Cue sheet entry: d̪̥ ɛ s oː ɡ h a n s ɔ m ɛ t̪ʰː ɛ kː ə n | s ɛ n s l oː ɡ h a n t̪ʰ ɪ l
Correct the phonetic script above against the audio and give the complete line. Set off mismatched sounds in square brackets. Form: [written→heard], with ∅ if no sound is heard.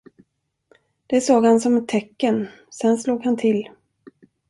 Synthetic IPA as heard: d̪̥ ɛ s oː ɡ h a n s ɔ m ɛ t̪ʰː ɛ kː ə n | s ɛ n s l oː ɡ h a n t̪ʰ ɪ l